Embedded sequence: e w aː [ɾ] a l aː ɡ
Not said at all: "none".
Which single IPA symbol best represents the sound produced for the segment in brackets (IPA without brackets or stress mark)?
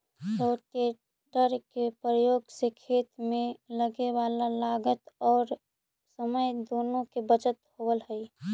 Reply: l